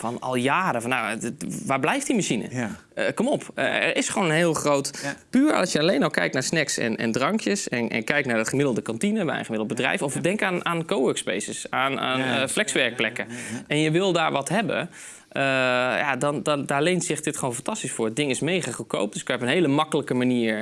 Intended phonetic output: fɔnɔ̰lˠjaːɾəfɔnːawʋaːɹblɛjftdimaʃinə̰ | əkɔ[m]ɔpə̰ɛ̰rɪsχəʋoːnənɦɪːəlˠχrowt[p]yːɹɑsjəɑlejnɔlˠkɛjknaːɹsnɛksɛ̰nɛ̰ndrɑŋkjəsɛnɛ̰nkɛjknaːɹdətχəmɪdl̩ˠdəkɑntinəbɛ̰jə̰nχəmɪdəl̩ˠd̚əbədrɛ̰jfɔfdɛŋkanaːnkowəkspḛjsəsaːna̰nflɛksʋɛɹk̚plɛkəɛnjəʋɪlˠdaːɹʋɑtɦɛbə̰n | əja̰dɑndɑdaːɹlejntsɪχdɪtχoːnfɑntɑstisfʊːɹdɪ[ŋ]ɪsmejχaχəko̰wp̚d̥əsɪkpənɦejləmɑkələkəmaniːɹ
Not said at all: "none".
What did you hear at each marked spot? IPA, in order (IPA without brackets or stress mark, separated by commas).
m, p, ŋ